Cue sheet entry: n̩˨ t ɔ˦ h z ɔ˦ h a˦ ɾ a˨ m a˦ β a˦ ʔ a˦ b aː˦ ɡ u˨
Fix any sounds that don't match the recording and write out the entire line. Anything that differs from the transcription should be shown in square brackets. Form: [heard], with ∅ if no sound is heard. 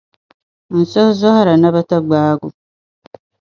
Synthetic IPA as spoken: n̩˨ [s] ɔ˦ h z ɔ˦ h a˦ ɾ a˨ [n] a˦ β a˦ [t] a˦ [ɡ͡b] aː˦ ɡ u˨